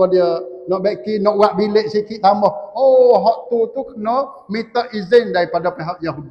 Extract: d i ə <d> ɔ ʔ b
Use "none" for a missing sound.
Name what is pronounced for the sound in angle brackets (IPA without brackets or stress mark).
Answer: n